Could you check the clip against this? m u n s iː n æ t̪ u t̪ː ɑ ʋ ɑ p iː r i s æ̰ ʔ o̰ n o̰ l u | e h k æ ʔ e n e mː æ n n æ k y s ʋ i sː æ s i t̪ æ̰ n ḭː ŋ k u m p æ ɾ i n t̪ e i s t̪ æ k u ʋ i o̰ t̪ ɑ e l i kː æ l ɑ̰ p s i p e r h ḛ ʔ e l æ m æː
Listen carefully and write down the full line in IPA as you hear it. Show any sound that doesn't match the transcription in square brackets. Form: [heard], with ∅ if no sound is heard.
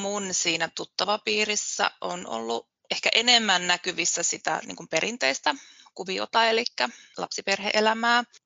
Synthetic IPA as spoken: m u n s iː n æ t̪ u t̪ː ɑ ʋ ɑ p iː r i [sː] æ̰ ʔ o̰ n o̰ [lː] u | e h k æ ʔ e n e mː æ n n æ k y [∅] ʋ i sː æ s i t̪ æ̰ n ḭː ŋ k u m p [e] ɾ i n t̪ e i s t̪ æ k u ʋ i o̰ t̪ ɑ e l i kː æ l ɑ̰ p s i p e r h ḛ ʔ e l æ m æː